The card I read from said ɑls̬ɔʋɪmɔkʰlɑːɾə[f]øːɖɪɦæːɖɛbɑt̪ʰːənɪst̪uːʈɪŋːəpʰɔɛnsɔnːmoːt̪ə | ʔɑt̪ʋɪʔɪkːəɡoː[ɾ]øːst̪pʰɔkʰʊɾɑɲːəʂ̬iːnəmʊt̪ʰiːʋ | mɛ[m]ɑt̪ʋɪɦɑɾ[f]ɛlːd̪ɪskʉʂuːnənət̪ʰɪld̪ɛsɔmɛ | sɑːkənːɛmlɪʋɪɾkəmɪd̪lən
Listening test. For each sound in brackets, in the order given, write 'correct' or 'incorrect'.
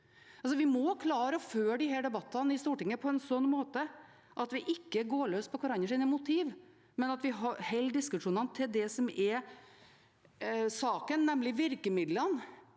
correct, incorrect: ɭ, incorrect: n, incorrect: h

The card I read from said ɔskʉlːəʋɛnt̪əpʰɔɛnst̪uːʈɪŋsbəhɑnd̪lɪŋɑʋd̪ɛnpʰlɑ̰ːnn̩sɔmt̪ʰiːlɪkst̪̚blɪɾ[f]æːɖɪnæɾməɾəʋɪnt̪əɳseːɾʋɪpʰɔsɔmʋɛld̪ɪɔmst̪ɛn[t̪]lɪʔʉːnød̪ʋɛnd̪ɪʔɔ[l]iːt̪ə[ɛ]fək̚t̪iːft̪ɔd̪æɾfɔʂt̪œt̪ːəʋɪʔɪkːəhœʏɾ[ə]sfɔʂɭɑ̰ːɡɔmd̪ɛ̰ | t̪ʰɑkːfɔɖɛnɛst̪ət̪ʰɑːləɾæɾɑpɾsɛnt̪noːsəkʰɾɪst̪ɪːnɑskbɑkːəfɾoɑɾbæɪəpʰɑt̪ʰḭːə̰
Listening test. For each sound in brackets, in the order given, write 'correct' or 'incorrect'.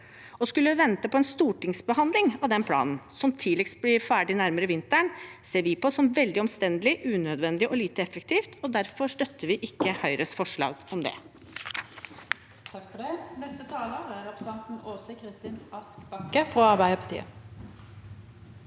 correct, incorrect: d̪, correct, correct, correct

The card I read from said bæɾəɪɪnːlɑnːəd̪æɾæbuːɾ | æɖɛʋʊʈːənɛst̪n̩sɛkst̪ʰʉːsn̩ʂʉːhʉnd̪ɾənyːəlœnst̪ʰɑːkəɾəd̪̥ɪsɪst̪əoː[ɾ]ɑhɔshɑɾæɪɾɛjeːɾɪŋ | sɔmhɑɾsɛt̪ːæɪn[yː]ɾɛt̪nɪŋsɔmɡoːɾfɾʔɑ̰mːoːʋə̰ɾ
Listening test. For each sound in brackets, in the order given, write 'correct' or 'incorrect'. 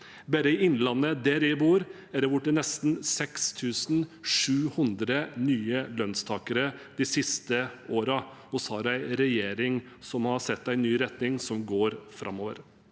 correct, correct

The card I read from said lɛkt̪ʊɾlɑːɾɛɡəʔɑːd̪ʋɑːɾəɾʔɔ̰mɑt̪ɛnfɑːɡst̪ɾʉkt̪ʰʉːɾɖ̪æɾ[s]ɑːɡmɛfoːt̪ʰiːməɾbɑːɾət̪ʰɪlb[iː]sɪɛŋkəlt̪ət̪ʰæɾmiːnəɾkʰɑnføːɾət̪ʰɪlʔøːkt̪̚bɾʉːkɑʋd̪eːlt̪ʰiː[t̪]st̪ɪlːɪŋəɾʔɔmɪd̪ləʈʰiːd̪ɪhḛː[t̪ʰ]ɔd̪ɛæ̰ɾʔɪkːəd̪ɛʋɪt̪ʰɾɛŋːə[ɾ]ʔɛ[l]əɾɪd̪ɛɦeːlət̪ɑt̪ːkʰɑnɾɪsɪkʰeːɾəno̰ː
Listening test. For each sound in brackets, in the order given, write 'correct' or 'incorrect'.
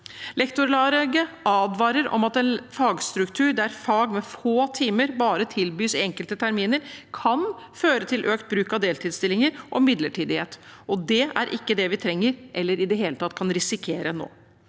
incorrect: f, incorrect: yː, incorrect: d̪, incorrect: t̪, correct, incorrect: lː

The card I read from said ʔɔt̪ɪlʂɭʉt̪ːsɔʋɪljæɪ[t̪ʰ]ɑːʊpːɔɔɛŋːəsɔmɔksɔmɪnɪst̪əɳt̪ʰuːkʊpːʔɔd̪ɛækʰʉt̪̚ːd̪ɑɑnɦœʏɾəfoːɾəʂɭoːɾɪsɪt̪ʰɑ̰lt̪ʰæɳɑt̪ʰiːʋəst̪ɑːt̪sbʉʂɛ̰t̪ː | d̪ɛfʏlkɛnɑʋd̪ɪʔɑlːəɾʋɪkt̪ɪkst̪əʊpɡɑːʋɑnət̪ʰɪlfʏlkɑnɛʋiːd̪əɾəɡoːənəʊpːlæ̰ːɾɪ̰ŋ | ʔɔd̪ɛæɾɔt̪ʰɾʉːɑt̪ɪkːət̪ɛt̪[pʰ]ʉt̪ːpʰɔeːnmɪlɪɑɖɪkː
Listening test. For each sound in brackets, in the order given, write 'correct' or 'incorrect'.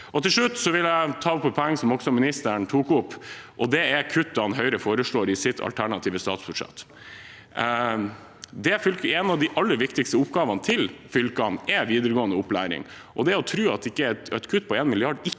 correct, incorrect: kʰ

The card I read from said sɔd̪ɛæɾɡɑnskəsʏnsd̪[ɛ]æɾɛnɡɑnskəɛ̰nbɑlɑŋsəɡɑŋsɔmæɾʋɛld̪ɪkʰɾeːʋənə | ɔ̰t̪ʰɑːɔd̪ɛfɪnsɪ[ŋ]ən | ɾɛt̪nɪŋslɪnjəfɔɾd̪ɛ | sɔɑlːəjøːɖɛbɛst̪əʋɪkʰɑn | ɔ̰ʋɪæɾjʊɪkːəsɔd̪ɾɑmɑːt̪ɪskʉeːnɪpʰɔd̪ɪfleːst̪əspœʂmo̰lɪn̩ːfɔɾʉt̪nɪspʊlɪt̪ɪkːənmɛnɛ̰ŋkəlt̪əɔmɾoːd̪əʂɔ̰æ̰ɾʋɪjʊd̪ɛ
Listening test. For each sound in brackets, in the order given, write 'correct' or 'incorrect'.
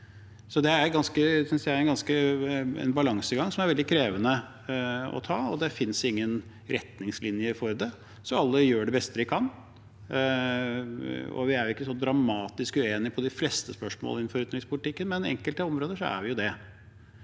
incorrect: æ, incorrect: ŋː

